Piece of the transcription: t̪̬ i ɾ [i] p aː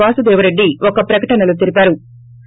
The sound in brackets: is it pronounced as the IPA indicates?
yes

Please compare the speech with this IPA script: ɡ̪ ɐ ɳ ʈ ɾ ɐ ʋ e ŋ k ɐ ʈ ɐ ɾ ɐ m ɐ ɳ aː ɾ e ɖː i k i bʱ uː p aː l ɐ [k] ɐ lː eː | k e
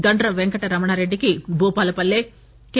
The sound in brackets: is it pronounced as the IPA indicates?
no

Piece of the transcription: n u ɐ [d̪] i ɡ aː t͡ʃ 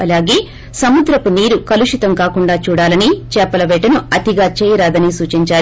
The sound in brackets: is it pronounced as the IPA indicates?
no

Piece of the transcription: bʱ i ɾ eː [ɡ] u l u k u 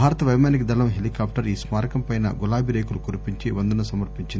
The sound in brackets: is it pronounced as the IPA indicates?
no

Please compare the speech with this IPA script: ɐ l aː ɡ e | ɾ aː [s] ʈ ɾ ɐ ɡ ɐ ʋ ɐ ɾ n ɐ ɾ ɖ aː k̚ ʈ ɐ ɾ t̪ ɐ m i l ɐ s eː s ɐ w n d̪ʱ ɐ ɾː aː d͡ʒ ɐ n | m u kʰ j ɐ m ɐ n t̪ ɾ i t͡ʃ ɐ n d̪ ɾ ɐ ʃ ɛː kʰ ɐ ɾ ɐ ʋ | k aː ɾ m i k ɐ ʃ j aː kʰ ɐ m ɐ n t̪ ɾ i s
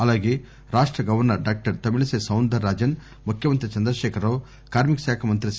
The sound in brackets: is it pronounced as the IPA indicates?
no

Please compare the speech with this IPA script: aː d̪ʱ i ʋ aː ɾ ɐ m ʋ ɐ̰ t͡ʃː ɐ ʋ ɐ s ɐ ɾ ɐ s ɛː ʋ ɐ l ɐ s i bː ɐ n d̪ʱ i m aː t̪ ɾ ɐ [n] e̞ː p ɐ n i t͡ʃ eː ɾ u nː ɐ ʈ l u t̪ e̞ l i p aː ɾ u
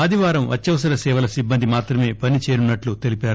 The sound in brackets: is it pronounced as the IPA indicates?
no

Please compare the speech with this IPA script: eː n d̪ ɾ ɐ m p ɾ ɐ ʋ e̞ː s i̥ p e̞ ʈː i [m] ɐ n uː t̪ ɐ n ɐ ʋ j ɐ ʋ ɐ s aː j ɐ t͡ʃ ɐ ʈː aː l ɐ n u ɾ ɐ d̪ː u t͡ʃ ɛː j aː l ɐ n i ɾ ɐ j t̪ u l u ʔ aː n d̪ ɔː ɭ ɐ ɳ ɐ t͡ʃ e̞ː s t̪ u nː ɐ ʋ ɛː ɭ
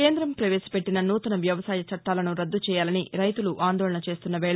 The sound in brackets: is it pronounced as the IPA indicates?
no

